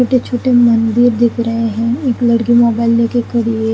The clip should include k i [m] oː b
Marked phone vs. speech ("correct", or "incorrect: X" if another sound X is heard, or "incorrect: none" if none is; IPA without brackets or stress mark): correct